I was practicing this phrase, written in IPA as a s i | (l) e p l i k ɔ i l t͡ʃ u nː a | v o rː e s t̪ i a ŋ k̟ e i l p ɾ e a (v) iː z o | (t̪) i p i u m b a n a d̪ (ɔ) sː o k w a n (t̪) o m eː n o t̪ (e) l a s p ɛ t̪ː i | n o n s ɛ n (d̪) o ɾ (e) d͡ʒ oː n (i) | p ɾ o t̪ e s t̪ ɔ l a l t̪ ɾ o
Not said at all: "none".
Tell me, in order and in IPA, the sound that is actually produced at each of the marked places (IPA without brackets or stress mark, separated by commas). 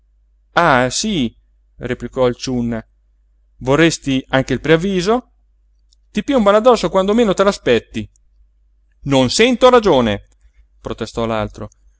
r, vː, t̪, ɔ, d̪, e, t̪, a, e